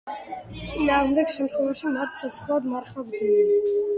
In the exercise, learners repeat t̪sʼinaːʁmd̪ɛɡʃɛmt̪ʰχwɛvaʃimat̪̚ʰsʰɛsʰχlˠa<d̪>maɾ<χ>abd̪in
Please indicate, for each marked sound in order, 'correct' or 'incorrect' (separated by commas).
correct, correct